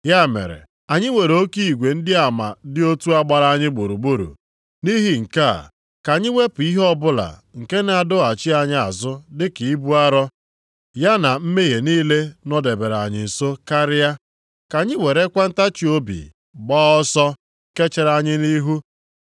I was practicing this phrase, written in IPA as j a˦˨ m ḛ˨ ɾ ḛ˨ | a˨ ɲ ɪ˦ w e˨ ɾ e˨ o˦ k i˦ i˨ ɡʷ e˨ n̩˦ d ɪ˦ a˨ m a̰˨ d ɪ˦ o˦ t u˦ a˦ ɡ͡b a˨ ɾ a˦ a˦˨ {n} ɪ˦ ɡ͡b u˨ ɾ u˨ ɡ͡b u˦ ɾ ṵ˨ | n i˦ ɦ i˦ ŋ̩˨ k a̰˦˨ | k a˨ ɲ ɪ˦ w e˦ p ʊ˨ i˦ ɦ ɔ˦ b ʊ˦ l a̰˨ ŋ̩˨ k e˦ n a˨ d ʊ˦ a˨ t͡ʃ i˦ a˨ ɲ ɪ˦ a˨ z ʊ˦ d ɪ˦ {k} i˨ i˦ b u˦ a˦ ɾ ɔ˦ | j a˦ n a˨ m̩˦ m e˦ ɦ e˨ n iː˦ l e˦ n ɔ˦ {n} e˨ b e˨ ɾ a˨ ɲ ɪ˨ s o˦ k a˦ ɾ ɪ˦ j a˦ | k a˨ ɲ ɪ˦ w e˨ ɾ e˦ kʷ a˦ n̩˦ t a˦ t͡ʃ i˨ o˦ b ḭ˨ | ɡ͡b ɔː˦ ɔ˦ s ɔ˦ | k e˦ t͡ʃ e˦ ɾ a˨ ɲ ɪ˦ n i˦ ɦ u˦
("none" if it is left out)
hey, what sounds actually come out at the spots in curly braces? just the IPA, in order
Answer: ɲ, k, d

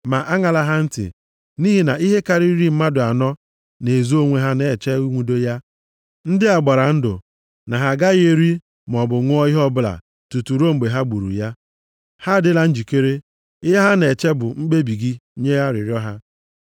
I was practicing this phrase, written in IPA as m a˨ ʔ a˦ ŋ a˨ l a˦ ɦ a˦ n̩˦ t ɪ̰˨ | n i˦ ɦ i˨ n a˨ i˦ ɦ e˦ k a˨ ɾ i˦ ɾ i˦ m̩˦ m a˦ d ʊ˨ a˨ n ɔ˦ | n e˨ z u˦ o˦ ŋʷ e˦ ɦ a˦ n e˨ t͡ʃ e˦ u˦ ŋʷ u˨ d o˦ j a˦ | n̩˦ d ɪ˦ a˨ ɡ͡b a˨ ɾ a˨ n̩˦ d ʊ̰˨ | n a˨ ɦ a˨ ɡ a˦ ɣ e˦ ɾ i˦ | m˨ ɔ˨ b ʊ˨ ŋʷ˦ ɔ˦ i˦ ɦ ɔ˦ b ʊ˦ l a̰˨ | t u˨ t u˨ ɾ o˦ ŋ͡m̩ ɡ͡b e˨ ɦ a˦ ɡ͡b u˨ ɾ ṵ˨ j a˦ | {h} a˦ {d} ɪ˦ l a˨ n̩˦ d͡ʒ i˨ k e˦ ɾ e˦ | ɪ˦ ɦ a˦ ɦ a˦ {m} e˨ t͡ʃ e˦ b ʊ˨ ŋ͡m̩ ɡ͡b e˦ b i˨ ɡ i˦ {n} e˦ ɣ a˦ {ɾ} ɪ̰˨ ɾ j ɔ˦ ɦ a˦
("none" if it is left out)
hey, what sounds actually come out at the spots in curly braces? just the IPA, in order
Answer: h, d, n, ɲ, ɾ

